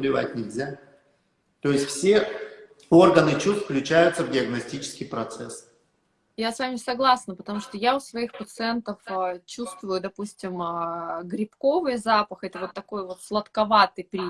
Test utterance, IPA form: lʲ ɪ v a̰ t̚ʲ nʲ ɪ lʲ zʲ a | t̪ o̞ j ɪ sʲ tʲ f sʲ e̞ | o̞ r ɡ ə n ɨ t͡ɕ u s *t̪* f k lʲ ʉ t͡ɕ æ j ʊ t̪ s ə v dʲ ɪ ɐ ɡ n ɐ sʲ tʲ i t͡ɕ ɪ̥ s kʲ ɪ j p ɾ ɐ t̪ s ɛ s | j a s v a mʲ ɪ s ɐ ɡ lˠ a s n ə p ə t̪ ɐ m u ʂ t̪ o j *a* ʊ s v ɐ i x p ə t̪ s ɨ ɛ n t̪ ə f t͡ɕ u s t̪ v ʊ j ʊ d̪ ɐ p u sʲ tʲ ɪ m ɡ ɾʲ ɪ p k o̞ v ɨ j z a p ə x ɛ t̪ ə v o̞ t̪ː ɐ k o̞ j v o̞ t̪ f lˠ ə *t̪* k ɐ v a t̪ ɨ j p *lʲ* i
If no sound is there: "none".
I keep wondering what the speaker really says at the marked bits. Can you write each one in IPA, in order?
t̪, a, t̪, ɾʲ

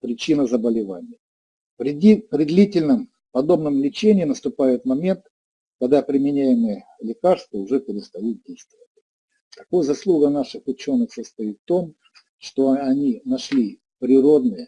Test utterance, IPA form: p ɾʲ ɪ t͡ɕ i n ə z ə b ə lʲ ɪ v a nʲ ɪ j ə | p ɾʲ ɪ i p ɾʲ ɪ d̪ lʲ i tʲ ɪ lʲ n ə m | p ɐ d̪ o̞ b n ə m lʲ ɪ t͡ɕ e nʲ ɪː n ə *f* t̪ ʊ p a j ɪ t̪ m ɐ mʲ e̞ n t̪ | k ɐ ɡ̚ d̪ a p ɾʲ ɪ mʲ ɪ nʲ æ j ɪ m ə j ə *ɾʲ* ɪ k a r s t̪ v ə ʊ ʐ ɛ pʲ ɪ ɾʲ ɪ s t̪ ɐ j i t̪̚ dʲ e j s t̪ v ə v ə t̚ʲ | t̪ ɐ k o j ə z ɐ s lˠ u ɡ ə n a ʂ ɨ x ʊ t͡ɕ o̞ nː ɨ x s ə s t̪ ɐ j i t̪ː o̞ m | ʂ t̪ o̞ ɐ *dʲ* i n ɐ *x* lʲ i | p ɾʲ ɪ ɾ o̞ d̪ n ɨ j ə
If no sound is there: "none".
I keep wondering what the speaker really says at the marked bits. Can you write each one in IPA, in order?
s, lʲ, nʲ, ʂ

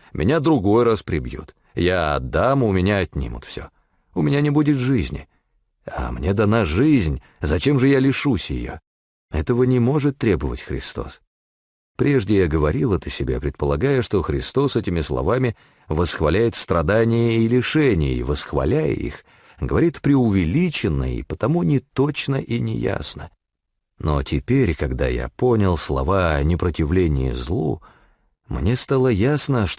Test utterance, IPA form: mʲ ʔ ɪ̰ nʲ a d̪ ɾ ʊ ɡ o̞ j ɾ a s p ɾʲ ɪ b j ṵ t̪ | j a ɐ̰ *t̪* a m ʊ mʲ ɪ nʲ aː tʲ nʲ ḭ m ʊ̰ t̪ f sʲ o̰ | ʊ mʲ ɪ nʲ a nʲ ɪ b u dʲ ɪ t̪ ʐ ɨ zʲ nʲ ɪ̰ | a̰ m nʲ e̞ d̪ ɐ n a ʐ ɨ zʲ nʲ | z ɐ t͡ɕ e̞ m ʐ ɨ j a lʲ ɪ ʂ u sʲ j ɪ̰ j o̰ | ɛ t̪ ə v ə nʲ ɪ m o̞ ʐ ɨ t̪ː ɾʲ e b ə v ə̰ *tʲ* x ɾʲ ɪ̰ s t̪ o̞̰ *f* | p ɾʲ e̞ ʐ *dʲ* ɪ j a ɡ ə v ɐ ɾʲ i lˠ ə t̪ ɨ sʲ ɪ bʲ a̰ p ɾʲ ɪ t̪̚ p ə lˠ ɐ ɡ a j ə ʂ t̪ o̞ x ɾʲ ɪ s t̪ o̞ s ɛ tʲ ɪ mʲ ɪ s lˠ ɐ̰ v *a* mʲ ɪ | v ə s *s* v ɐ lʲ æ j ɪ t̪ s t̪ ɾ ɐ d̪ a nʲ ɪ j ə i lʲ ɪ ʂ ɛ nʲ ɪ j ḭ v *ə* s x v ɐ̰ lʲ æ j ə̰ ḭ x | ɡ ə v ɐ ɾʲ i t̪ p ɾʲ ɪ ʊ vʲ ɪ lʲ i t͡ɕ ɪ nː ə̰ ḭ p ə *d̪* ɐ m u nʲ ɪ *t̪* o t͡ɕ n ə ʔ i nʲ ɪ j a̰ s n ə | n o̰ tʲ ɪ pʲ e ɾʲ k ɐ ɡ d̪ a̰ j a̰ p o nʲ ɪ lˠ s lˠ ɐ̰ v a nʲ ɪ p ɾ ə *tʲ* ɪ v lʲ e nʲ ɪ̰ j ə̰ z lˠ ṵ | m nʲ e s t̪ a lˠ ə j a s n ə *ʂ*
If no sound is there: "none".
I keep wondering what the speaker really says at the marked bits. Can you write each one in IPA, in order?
d̪, tʲ, s, dʲ, a, x, ə, t̪, t̪, tʲ, ʂ

